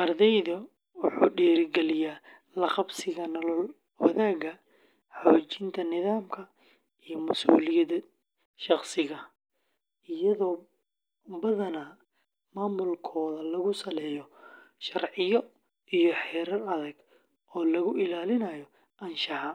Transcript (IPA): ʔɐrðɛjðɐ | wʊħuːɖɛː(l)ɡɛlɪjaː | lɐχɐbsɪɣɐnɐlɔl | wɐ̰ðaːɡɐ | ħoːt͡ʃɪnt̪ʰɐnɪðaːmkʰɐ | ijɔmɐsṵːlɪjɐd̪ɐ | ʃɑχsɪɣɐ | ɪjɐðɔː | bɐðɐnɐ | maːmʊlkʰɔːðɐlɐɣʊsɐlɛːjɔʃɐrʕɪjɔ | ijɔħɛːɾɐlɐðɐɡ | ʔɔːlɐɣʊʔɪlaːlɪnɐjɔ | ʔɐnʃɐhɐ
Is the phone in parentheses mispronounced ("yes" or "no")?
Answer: yes